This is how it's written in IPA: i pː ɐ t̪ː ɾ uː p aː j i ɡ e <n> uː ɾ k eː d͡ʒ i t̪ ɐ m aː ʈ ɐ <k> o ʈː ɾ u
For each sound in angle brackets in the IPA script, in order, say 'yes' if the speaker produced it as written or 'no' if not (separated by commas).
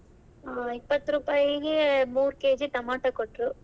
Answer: no, yes